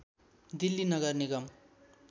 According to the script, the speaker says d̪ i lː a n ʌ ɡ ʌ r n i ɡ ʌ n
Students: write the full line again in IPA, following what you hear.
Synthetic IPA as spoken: d̪ i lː i n ʌ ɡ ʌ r n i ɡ ʌ m